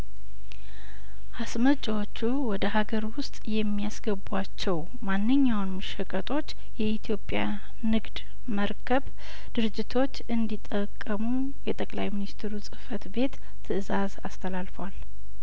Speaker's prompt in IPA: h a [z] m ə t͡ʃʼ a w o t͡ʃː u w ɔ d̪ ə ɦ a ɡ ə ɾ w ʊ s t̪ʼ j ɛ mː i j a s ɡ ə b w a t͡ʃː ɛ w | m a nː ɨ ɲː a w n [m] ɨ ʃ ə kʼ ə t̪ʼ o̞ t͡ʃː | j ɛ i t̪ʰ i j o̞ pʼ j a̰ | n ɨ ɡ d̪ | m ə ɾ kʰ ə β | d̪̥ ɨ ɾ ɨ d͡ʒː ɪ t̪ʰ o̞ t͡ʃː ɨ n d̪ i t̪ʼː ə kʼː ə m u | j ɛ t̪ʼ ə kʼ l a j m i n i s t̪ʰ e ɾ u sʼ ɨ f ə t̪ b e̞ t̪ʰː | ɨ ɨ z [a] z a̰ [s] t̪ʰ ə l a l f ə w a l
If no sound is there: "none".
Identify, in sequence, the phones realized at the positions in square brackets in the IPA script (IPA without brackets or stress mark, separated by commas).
s, m, a, s